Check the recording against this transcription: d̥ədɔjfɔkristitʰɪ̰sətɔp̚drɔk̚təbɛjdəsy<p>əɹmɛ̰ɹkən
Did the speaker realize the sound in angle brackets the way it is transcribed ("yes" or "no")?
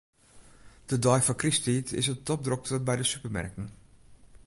yes